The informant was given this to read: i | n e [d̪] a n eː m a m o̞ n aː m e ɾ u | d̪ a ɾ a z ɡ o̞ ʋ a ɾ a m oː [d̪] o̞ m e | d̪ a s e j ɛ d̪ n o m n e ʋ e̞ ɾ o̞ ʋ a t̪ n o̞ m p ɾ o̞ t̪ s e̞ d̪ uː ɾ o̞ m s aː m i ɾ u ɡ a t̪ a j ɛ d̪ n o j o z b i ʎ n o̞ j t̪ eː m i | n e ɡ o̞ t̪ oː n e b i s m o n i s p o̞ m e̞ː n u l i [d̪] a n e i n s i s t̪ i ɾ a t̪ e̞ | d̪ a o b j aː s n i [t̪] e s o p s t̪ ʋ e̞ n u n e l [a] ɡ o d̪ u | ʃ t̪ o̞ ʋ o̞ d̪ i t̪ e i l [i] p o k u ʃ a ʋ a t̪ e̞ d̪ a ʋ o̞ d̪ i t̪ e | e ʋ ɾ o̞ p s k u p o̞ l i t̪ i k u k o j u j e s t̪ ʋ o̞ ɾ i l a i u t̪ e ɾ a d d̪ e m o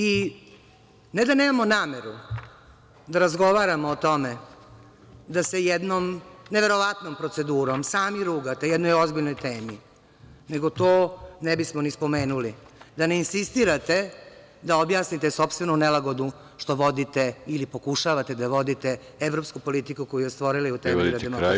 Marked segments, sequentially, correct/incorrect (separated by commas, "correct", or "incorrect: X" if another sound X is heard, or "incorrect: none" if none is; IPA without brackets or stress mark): correct, incorrect: t̪, correct, correct, correct, correct